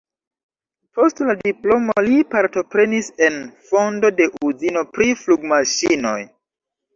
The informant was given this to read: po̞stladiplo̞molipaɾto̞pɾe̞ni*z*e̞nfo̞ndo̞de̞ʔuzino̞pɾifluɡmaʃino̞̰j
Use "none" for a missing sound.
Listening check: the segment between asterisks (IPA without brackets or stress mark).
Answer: s